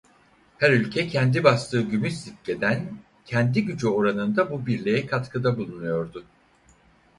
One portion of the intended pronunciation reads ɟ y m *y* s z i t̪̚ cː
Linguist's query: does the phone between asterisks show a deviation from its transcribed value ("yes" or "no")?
no